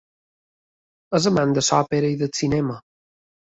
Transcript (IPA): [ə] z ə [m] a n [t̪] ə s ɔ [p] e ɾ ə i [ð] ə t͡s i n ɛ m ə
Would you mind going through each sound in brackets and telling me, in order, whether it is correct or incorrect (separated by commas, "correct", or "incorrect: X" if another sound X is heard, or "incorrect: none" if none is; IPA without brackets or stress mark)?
correct, correct, incorrect: d̪, correct, correct